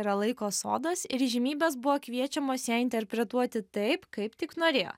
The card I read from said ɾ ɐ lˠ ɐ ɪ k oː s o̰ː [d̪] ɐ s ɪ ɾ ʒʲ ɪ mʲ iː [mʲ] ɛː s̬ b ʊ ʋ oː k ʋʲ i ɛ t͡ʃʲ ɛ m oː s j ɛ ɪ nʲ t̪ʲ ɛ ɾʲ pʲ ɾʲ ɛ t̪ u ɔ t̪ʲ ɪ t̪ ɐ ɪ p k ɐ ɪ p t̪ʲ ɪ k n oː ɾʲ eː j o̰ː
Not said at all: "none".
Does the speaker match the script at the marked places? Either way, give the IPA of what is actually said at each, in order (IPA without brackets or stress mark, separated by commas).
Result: d̪, bʲ